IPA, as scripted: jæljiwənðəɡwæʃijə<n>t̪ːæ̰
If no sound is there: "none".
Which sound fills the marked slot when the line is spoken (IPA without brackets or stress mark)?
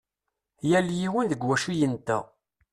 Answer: n